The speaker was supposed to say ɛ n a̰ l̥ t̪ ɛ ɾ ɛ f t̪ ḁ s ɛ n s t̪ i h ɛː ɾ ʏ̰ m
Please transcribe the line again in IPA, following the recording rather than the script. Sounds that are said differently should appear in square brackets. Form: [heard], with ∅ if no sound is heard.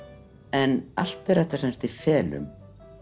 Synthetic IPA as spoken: ɛ n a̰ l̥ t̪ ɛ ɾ ɛ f t̪ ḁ s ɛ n s t̪ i [f] ɛː [l] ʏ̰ m